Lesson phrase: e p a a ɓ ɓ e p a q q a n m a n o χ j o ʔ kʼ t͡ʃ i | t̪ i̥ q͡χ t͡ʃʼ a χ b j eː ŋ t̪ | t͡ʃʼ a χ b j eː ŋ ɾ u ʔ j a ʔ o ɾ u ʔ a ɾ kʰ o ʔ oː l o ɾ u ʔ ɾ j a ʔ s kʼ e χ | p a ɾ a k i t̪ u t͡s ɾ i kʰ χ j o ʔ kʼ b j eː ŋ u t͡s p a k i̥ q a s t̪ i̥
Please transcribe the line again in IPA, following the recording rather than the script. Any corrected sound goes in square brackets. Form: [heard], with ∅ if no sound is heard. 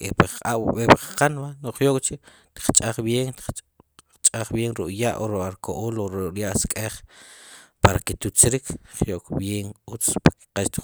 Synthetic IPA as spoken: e p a a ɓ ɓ e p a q q a n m a n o χ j o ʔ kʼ t͡ʃ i | t̪ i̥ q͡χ t͡ʃʼ a χ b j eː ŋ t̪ | t͡ʃʼ a χ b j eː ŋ ɾ u ʔ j a ʔ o ɾ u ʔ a ɾ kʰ o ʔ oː l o ɾ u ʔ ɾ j a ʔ s kʼ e χ | p a ɾ a k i t̪ u t͡s ɾ i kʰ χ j o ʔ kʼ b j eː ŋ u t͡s p a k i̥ q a [ʃ] t̪ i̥